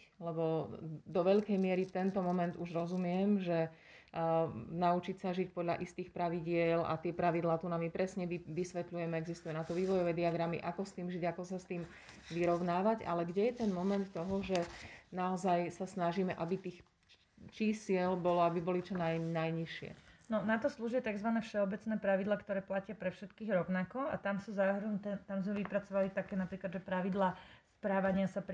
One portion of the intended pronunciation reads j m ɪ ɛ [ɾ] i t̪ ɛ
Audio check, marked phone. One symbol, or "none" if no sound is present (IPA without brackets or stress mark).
ɾ